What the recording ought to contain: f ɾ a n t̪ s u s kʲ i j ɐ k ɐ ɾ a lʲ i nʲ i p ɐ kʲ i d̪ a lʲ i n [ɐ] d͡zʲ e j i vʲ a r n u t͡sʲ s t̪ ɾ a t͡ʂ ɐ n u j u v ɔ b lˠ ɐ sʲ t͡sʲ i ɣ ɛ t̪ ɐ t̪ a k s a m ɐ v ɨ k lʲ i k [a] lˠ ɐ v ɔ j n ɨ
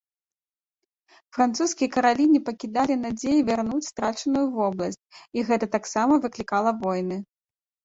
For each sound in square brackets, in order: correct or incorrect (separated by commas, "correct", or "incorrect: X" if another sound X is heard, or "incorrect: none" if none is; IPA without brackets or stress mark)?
incorrect: a, correct